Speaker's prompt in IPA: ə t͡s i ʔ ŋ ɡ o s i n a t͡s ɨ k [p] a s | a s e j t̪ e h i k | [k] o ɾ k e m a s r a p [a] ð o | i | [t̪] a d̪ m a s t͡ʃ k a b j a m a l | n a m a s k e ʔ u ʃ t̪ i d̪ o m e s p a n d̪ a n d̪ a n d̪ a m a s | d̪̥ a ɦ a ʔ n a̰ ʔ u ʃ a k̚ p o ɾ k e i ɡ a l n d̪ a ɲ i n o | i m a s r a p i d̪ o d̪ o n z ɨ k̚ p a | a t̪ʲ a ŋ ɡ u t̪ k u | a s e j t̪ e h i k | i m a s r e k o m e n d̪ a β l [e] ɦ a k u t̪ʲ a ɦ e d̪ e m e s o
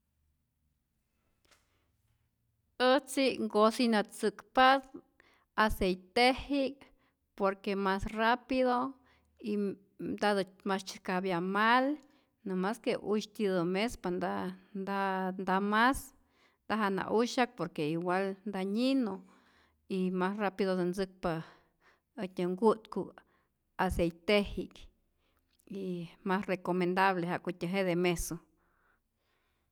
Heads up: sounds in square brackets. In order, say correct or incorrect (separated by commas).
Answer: correct, incorrect, incorrect, incorrect, correct